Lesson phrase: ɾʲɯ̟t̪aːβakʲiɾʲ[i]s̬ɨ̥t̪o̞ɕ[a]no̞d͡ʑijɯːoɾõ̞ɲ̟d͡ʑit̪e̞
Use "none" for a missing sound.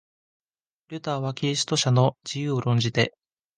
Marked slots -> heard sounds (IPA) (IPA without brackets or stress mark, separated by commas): i, a